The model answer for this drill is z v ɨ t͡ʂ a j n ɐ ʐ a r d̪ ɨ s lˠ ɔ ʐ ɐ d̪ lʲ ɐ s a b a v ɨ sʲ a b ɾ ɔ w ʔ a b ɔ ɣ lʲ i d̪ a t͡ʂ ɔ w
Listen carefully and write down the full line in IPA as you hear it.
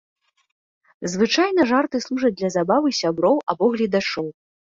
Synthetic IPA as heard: z v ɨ t͡ʂ a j n ɐ ʐ a r t̪ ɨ s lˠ u ʐ ɐ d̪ lʲ ɐ z a b a v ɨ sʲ a b ɾ ɔ w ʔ a b ɔ ɣ lʲ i d̪ a t͡ʂ ɔ w